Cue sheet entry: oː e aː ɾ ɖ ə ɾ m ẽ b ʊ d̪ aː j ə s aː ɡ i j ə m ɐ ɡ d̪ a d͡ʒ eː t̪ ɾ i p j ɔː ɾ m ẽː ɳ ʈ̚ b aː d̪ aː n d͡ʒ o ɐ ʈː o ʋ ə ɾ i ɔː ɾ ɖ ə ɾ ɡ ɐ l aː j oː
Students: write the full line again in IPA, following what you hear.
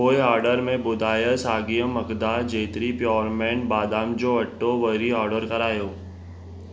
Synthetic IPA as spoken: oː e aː ɾ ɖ ə ɾ m ẽ b ʊ d̪ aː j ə s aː ɡ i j ə m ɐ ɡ d̪ a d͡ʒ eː t̪ ɾ i p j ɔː ɾ m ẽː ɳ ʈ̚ b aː d̪ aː m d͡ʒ o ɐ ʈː o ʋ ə ɾ i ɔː ɾ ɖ ə ɾ k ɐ ɾ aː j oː